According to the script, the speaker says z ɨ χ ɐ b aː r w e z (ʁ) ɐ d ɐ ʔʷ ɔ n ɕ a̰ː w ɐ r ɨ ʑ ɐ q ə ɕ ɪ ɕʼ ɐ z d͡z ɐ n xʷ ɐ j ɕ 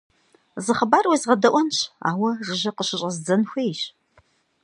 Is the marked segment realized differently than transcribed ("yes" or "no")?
no